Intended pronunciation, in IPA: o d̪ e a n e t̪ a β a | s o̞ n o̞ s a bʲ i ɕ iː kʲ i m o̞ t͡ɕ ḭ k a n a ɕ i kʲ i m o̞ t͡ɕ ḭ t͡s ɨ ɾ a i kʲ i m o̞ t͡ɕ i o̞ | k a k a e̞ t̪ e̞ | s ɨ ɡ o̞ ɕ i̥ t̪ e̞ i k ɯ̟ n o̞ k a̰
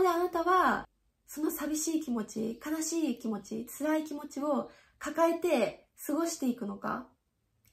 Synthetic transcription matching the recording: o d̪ e a n a t̪ a β a | s o̞ n o̞ s a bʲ i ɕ iː kʲ i m o̞ t͡ɕ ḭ k a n a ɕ iː kʲ i m o̞ t͡ɕ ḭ t͡s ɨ ɾ a i kʲ i m o̞ t͡ɕ i o̞ | k a k a e̞ t̪ e̞ | s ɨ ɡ o̞ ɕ i̥ t̪ e̞ i k ɯ̟ n o̞ k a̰